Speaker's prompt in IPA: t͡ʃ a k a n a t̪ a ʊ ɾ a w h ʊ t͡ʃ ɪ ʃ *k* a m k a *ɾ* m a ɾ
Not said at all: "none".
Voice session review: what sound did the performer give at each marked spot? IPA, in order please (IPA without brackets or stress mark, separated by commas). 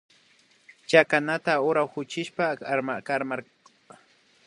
p, ɾ